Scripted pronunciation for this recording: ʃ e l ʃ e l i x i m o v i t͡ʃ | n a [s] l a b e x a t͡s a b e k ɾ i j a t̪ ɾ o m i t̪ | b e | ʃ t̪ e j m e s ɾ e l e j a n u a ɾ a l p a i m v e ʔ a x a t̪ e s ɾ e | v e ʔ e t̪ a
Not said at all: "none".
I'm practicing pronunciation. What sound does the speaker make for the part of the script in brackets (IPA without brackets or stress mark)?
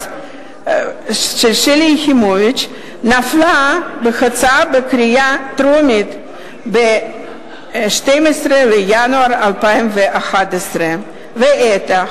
f